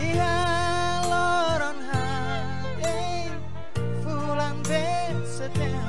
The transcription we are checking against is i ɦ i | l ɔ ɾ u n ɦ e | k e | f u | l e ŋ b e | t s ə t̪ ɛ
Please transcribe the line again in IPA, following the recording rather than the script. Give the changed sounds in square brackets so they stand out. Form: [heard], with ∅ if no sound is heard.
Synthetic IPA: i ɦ [a] | l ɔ ɾ [ɔ] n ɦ [a] | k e | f u | l [a] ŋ b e | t s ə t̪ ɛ

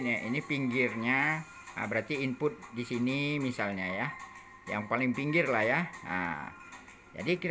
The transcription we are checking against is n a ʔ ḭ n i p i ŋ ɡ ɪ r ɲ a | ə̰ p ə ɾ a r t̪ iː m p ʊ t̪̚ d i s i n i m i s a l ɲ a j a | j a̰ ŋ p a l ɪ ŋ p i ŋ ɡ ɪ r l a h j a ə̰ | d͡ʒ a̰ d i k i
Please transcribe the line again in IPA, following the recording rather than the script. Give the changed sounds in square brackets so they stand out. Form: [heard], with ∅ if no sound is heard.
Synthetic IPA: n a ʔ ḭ n i p i ŋ ɡ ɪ r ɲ a | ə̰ [b] ə ɾ a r t̪ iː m p ʊ t̪̚ d i s i n i m i s a l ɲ a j a | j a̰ ŋ p a l ɪ ŋ p i ŋ ɡ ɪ r l a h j a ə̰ | d͡ʒ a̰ d i k i

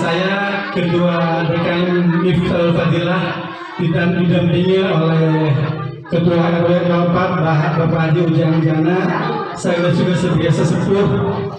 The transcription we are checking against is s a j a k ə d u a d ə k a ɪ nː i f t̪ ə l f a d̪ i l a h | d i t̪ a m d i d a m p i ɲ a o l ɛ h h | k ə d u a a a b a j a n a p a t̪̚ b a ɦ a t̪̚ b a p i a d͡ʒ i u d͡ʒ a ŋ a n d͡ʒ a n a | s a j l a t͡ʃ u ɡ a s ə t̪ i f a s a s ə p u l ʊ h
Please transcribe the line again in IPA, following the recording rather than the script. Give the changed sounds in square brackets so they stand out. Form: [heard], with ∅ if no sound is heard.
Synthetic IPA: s a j a k ə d u a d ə k a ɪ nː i f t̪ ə l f a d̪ i l a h | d i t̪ a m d i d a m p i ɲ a o l ɛ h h | k ə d u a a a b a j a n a p a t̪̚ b a ɦ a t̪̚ b a p [a] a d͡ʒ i u d͡ʒ a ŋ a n d͡ʒ a n a | s a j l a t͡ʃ u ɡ a s ə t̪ i [∅] a s a s ə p u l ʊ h

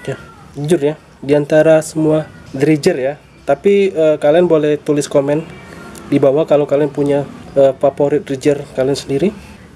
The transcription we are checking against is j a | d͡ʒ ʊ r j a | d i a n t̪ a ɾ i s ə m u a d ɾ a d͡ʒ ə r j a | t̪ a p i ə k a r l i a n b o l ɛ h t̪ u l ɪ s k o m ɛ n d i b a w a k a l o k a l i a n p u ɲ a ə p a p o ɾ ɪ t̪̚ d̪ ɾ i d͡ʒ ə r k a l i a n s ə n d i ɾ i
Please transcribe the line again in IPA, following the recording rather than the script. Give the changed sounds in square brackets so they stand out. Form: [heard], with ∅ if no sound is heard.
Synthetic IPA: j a | d͡ʒ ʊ r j a | d i a n t̪ a ɾ [a] s ə m u a d ɾ [i] d͡ʒ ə r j a | t̪ a p i ə k a [∅] l i a n b o l ɛ h t̪ u l ɪ s k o m ɛ n d i b a w a k a l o k a l i a n p u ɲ a ə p a p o ɾ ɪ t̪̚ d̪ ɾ i d͡ʒ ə r k a l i a n s ə n d i ɾ i

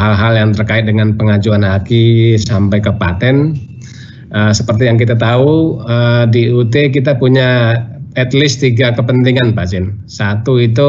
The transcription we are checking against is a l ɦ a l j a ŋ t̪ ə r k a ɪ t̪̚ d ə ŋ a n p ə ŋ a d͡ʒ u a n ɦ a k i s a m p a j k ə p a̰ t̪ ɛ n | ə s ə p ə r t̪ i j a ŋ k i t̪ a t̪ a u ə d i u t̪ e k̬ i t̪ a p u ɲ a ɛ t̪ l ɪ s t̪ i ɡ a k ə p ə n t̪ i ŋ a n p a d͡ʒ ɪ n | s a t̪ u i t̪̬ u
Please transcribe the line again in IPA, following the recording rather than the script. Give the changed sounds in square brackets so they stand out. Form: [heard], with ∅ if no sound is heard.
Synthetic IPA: a l ɦ a l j a ŋ t̪ ə r k a ɪ t̪̚ d ə ŋ a n p ə ŋ a d͡ʒ u a n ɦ a k i s a m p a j k ə p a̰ t̪ ɛ n | ə s ə p ə r t̪ i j a ŋ k i t̪ a t̪ a u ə d i u t̪ e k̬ i t̪ a p u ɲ a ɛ t̪ l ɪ s t̪ i ɡ a k ə p ə n t̪ i ŋ a n p a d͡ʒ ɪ n | s a t̪ u i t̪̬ u

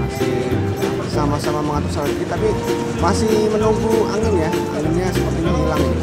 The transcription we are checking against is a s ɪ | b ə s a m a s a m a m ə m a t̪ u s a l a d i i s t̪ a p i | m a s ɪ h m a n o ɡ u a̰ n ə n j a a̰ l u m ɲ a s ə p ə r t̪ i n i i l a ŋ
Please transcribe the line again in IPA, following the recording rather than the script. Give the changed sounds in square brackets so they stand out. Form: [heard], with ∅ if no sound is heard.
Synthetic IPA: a s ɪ | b ə s a m a s a m a m ə [ŋ] a t̪ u s a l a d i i [∅] t̪ a p i | m a s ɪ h m [ə] n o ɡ u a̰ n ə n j a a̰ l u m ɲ a s ə p ə r t̪ i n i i l a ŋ

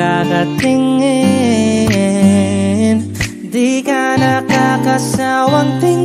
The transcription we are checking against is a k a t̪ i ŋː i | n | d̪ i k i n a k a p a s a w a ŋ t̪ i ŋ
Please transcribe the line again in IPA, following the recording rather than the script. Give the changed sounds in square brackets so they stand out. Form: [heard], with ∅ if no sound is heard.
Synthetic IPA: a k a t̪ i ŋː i | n | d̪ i k [a] n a k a [k] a s a w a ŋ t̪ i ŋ

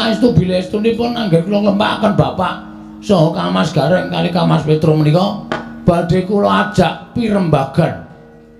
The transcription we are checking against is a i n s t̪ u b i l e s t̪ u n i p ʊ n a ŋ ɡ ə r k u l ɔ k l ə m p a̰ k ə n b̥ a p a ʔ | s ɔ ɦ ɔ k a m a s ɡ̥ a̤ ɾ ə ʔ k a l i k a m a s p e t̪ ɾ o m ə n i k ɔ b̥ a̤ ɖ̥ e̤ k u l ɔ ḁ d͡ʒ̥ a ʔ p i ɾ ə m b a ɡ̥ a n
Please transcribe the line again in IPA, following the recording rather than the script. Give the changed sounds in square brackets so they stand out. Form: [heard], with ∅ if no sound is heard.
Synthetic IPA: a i [∅] s t̪ u b i l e s t̪ u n i p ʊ n a ŋ ɡ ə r k u l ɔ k l ə m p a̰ k ə n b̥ a p a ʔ | s ɔ ɦ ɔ k a m a s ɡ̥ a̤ ɾ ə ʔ k a l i k a m a s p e t̪ ɾ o m ə n i k ɔ b̥ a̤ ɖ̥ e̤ k u l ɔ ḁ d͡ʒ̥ a ʔ p i ɾ ə m b a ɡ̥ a n

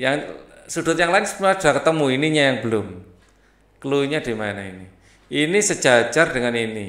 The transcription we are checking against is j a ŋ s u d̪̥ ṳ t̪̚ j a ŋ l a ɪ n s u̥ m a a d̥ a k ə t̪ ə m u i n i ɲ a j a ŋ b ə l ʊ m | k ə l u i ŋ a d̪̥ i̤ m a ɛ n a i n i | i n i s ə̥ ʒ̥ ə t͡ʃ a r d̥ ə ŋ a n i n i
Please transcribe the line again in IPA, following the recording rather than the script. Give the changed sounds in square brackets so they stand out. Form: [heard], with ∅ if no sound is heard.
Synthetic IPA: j a ŋ s u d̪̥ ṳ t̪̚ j a ŋ l a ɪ n s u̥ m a a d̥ a k ə t̪ ə m u i n i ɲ a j a ŋ b ə l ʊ m | k ə l u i [ɲ] a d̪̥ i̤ m a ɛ n a i n i | i n i s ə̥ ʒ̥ [a] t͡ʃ a r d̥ ə ŋ a n i n i

